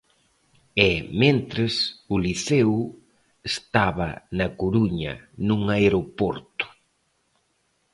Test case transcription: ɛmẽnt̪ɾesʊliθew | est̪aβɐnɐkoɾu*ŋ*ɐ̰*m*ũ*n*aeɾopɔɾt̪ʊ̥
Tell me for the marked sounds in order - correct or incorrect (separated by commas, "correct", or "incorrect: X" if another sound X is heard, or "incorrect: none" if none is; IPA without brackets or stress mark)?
incorrect: ɲ, incorrect: n, incorrect: ŋ